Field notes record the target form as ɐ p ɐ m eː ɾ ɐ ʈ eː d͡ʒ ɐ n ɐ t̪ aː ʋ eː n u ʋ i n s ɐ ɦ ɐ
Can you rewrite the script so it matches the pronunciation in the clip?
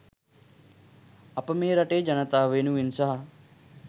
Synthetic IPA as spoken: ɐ p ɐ m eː ɾ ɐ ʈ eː d͡ʒ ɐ n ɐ t̪ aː ʋ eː n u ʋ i n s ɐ ɦ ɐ